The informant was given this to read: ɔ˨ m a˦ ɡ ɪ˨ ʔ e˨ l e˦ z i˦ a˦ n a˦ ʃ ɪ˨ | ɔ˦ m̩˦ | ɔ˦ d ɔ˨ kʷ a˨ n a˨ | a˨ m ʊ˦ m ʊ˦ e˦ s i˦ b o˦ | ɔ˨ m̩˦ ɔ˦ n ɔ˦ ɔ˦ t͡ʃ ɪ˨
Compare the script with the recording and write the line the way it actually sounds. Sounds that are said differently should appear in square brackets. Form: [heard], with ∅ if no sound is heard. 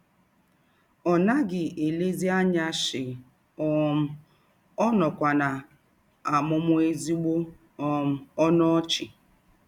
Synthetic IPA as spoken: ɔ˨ [n] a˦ ɡ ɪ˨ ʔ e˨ l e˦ z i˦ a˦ [ɲ] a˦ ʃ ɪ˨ | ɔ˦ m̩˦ | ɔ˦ [n] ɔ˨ kʷ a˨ n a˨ | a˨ m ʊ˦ m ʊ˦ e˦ [z] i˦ [ɡ͡b] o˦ | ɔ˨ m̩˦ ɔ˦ n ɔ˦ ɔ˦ t͡ʃ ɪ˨